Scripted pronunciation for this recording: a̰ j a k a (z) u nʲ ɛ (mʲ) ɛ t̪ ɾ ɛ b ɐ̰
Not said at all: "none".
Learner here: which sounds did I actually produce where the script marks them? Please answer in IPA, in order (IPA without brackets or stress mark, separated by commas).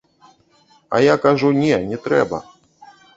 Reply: ʐ, nʲ